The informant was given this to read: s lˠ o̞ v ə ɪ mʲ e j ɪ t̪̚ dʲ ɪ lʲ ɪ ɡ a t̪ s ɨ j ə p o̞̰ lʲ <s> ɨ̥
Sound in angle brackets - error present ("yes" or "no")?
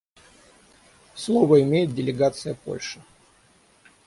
yes